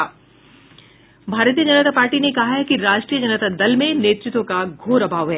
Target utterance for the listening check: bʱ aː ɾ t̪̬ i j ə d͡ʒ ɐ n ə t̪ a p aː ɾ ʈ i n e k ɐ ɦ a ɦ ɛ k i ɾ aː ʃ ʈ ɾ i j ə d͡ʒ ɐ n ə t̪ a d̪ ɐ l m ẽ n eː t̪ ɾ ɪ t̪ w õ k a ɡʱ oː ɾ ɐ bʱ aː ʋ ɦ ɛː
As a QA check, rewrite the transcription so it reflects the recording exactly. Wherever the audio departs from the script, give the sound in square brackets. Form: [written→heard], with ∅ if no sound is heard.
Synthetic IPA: bʱ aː ɾ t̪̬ i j ə d͡ʒ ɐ n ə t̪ a p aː ɾ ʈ i n e k ɐ ɦ a ɦ ɛ k i ɾ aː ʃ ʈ ɾ i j ə d͡ʒ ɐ n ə t̪ a d̪ ɐ l m ẽ n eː t̪ ɾ ɪ t̪ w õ k a ɡʱ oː ɾ ɐ bʱ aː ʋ ɦ ɛː